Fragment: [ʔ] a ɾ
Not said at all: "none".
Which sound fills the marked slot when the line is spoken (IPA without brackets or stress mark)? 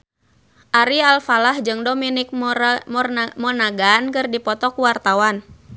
ʔ